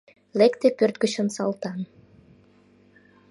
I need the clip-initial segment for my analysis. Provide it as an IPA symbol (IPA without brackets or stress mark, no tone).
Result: l